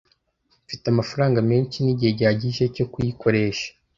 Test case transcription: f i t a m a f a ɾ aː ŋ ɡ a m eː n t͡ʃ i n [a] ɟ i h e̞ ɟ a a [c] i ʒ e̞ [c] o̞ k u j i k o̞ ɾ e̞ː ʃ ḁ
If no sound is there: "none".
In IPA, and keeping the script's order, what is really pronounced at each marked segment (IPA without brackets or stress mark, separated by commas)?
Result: i, ɟ, c